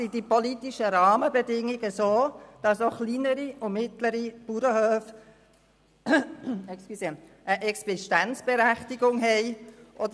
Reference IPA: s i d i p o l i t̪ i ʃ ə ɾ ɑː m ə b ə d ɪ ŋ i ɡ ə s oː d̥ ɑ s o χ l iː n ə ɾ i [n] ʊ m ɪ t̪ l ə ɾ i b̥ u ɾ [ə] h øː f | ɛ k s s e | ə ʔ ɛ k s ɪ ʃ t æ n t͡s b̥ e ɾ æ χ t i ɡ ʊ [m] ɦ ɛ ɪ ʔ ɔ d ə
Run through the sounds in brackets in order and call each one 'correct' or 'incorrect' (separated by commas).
incorrect, correct, incorrect